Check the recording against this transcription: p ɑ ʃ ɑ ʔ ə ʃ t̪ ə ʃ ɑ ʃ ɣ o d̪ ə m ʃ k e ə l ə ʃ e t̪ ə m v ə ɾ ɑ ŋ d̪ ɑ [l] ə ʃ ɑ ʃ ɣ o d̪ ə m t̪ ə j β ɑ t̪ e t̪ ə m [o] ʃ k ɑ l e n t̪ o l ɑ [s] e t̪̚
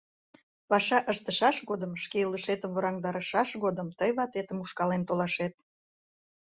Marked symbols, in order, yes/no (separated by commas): no, no, no